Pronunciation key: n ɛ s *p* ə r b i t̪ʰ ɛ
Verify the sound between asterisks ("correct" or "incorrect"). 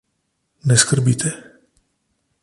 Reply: incorrect